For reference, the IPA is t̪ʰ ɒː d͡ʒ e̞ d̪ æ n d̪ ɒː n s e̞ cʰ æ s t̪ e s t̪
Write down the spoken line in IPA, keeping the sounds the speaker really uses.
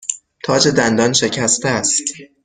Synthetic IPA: t̪ʰ ɒː d͡ʒ e̞ d̪ æ n d̪ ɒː n ʃ e̞ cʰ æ s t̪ æ s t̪